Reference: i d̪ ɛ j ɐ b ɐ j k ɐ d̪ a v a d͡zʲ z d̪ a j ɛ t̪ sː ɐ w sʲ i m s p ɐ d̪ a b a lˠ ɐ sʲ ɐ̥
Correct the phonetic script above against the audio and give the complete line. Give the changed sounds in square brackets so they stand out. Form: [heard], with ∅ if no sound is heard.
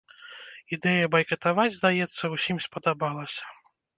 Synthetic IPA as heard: i d̪ ɛ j ɐ b ɐ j k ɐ [t̪] a v a d͡zʲ z d̪ a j ɛ t̪ sː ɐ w sʲ i m s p ɐ d̪ a b a lˠ ɐ sʲ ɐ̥